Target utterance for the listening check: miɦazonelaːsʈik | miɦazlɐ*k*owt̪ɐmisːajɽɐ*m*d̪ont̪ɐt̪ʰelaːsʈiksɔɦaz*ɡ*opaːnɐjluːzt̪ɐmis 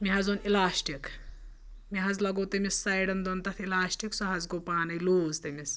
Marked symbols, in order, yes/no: no, no, yes

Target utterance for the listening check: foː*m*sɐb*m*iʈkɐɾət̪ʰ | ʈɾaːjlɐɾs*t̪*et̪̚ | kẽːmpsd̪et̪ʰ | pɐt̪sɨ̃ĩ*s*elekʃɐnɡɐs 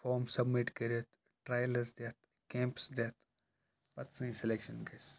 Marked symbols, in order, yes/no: yes, yes, no, yes

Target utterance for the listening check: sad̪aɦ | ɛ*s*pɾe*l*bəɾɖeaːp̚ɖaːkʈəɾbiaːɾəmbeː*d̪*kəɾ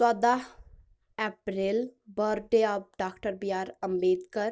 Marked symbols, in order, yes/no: no, yes, yes

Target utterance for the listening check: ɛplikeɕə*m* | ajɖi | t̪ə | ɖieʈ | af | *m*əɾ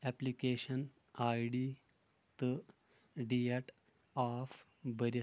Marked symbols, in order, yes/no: no, no

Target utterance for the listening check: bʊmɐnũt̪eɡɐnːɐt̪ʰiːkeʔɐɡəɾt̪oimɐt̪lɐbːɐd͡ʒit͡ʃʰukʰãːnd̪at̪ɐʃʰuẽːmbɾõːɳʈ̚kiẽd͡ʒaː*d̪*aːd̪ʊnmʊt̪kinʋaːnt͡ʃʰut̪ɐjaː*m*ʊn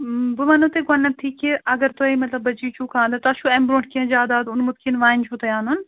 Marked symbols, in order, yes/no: yes, no

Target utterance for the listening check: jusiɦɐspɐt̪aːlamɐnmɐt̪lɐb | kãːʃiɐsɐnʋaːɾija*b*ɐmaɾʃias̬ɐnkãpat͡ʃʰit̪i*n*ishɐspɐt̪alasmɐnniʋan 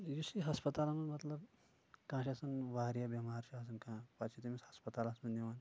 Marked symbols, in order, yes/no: yes, no

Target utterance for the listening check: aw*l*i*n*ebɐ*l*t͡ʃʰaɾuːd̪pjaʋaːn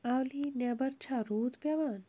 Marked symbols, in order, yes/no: yes, yes, no

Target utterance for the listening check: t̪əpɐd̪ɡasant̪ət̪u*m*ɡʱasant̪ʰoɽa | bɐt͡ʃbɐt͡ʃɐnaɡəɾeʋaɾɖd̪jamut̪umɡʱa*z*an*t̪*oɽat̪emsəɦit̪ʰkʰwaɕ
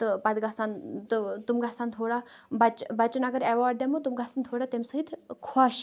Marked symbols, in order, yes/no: yes, no, no

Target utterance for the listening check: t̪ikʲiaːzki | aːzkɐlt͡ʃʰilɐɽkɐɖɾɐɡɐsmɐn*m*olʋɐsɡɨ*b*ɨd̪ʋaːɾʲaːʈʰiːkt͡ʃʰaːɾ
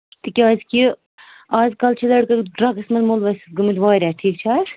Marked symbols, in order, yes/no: yes, no

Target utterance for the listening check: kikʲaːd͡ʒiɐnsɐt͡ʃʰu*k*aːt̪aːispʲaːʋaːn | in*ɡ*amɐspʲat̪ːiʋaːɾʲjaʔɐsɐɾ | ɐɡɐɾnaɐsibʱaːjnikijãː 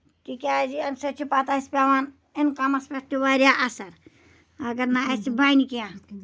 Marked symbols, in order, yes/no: no, no

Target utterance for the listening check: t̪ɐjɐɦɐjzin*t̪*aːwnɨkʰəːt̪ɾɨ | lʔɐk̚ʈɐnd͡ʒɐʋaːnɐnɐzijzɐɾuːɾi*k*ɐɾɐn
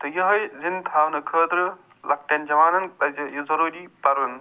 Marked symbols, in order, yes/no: no, no

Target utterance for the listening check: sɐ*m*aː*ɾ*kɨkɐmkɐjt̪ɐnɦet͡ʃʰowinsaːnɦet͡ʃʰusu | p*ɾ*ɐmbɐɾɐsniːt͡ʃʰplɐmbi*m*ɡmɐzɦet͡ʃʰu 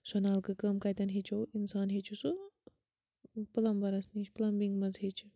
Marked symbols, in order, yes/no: no, no, no, no

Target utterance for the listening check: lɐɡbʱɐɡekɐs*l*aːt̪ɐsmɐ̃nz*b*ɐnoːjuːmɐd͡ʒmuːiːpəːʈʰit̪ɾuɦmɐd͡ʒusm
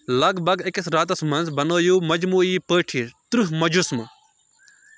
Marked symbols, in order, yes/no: no, yes

